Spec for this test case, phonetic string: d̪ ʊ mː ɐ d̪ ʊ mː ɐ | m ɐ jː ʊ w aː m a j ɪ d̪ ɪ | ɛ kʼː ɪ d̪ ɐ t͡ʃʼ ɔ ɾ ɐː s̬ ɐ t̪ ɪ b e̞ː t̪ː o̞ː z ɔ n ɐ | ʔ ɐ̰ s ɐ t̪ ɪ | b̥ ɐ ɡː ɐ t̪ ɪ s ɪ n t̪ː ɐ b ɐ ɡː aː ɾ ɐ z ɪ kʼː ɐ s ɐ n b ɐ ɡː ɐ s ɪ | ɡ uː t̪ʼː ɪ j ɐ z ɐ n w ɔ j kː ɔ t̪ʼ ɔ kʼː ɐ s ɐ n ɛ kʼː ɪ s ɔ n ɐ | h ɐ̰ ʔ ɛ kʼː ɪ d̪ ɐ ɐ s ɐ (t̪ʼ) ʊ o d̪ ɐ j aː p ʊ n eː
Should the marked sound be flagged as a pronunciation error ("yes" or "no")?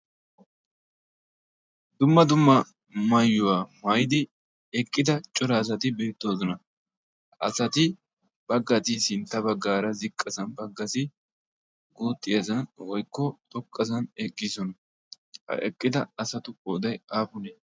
yes